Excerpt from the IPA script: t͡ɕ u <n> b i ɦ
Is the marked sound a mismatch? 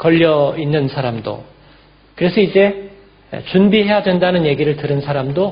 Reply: no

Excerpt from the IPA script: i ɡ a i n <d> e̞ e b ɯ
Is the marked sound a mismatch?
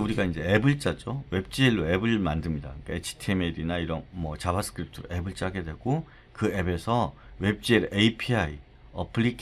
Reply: yes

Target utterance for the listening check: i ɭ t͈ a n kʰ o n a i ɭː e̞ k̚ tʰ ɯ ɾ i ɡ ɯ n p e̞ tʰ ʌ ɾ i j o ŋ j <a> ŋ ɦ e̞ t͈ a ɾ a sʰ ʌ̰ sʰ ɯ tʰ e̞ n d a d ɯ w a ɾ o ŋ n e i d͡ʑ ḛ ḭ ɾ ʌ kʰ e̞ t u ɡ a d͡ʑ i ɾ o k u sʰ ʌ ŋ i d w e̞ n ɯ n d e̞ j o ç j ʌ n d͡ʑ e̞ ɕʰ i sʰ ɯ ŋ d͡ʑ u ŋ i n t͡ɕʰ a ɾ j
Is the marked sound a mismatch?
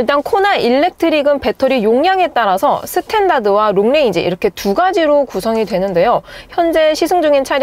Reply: no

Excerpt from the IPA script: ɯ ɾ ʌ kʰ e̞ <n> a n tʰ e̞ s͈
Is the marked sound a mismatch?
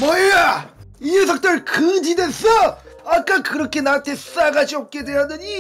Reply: no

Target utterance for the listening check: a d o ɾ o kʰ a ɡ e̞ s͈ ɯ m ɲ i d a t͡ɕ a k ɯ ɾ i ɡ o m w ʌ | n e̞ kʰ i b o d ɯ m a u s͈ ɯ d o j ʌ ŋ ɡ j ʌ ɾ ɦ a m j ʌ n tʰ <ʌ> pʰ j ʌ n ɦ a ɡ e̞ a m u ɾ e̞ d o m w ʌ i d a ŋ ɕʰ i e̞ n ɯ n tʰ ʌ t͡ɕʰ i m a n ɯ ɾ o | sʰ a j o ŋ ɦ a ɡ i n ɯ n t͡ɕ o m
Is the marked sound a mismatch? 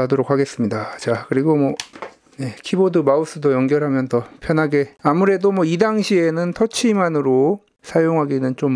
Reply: no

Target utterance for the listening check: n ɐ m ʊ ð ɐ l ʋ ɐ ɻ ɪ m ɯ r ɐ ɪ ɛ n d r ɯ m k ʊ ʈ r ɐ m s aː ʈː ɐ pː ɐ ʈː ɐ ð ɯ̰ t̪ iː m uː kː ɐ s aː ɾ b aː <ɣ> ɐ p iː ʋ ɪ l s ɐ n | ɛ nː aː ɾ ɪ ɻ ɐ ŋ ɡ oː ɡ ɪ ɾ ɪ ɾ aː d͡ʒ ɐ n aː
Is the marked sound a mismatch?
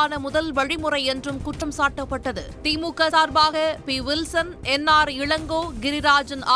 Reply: no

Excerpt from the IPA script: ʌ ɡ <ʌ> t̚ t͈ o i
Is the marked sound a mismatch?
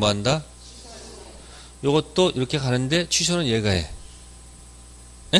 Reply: no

